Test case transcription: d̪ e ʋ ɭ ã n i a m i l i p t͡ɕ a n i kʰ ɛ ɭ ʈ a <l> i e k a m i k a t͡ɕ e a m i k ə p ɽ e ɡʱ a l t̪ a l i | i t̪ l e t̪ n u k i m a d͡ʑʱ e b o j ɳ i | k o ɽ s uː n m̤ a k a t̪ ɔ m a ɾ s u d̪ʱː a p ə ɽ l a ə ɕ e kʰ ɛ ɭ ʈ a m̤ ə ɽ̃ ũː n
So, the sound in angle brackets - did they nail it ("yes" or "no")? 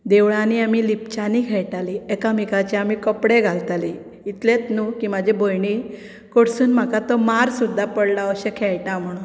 yes